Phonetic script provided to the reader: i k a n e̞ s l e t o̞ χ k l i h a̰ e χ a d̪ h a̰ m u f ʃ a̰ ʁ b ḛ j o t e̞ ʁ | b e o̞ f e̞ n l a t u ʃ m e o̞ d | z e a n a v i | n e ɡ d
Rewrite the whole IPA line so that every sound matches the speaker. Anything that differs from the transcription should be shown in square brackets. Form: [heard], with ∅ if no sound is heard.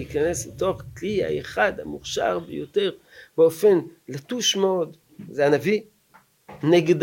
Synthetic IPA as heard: i k a n e̞ s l e t o̞ χ k l i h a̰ e χ a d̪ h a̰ m u [χ] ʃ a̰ ʁ b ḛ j o t e̞ ʁ | b e o̞ f e̞ n l a t u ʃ m e o̞ d | z e a n a v i | n e ɡ d